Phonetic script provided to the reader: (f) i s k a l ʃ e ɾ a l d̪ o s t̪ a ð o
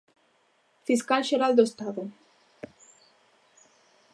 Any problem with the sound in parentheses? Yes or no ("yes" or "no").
no